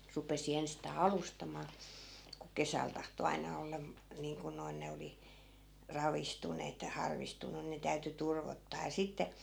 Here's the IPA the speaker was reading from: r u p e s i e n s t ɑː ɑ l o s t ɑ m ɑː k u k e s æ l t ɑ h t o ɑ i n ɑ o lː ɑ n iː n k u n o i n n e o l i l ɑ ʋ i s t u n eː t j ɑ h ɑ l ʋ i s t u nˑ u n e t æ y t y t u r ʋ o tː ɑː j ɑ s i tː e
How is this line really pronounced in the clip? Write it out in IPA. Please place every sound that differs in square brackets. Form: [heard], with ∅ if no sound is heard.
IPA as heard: r u p e s i e n s t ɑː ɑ l [u] s t ɑ m ɑː k u k e s æ l t ɑ h t o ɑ i n ɑ o lː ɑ n iː [ŋ] k u n o i n n e o l i [r] ɑ ʋ i s t u n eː t j ɑ h ɑ [r] ʋ i s t u nˑ u n e t æ y t y t u r ʋ o tː ɑː j ɑ s i tː e